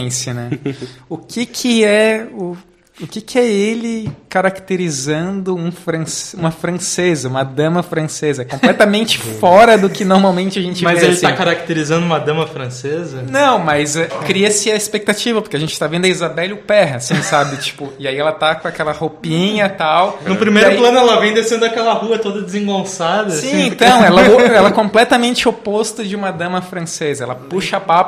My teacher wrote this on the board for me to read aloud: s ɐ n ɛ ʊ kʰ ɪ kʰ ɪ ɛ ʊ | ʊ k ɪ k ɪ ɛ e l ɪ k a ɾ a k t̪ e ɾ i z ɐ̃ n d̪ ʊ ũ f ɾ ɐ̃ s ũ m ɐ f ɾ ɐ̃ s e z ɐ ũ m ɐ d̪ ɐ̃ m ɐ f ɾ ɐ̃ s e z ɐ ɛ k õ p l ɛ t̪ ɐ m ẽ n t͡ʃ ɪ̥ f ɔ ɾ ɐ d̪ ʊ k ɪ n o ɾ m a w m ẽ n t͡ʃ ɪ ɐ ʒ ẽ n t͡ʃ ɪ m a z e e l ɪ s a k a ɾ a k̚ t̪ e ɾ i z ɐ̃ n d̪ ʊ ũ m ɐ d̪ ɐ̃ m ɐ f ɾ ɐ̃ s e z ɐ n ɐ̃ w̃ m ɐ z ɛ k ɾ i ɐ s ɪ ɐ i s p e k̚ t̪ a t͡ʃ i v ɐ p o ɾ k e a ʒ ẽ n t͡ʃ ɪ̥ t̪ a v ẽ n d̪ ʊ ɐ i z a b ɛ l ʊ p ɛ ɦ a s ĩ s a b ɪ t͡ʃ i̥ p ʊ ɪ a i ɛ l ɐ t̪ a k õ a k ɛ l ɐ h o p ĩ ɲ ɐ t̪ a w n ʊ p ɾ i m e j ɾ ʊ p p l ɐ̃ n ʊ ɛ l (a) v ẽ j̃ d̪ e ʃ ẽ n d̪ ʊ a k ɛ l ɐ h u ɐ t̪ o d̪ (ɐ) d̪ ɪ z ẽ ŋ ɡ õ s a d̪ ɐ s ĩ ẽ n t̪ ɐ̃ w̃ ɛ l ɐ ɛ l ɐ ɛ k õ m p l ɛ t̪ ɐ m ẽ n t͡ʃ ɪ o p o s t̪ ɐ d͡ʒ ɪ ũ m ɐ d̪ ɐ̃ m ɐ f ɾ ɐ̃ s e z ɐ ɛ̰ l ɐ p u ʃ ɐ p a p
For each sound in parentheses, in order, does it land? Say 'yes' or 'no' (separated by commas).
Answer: no, yes